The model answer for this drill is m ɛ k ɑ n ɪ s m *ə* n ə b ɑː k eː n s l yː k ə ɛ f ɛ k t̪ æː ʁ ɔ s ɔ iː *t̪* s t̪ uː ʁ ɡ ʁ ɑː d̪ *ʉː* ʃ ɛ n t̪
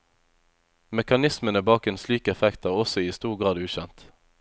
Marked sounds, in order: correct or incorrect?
correct, incorrect: none, correct

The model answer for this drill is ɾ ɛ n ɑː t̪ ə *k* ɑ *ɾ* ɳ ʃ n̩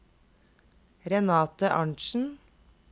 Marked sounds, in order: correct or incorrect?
incorrect: ʔ, incorrect: none

